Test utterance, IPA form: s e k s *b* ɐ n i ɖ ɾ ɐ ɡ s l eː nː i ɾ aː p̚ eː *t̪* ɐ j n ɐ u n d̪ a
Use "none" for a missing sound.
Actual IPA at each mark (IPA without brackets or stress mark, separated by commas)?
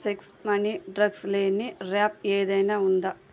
m, d̪